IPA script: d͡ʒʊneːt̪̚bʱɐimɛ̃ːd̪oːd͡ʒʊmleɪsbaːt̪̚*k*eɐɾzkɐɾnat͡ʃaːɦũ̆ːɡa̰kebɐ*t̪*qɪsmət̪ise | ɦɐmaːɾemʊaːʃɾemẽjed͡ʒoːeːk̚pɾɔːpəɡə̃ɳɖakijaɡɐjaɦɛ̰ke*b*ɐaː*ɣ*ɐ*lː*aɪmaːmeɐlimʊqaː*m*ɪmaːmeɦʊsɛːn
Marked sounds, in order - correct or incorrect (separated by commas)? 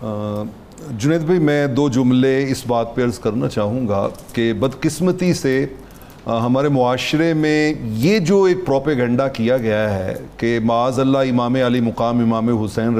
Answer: incorrect, incorrect, incorrect, incorrect, correct, correct